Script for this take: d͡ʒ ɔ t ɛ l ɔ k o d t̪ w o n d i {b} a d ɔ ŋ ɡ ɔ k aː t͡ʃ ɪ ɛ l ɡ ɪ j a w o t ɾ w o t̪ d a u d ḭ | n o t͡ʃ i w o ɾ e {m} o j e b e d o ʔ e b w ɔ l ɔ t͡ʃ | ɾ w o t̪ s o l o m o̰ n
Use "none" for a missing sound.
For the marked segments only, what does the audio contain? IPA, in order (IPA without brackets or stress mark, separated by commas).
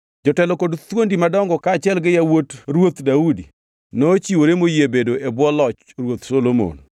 m, m